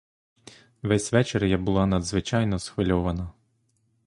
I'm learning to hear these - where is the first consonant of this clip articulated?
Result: lips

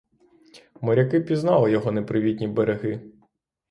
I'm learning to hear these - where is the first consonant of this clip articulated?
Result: lips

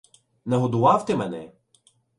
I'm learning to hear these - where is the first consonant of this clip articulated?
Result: tongue tip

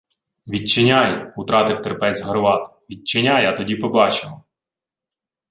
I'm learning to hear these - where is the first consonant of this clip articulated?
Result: lips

